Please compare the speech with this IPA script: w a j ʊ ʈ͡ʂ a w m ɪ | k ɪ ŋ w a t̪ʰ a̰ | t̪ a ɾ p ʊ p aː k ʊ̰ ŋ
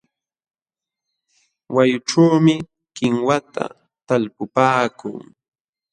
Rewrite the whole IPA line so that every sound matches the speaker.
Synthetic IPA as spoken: w a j ʊ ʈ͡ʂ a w m ɪ | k ɪ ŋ w a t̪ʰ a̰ | t̪ a l p ʊ p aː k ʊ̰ ŋ